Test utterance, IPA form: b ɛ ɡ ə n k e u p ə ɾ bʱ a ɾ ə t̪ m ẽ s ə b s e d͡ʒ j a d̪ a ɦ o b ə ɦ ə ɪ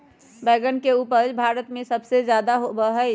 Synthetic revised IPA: b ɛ ɡ ə n k e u p ə ɾ bʱ a ɾ ə t̪ m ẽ s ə b s e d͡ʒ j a d̪ a ɦ o b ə ɦ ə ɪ

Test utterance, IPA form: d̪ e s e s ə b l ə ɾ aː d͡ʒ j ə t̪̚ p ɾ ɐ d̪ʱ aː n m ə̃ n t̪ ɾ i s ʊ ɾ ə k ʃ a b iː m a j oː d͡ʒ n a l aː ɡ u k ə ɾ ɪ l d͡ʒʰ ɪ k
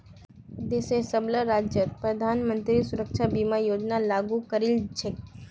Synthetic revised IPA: d̪ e s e s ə b l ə ɾ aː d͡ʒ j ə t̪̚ p ɾ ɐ d̪ʱ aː n m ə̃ n t̪ ɾ i s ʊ ɾ ə k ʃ a b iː m a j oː d͡ʒ n a l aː ɡ u k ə ɾ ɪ l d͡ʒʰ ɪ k

